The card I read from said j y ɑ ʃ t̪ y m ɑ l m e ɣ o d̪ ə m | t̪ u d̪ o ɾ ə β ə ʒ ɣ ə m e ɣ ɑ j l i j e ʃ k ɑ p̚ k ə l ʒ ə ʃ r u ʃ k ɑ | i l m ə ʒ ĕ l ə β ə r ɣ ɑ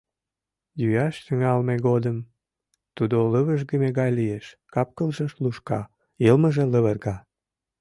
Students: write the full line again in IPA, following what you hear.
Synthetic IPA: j y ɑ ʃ t̪ y ŋ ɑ l m e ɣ o d̪ ə m | t̪ u d̪ o l ə β ə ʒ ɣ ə m e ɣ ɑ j l i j e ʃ k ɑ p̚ k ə l ʒ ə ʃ l u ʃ k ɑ | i l m ə ʒ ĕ l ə β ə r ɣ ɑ